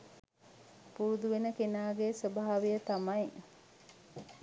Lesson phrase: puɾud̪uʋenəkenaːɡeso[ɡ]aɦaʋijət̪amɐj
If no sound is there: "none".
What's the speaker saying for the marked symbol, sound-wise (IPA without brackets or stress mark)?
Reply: b